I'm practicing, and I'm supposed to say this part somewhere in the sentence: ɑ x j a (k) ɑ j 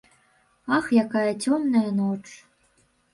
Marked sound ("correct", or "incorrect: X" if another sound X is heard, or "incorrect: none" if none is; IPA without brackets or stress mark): correct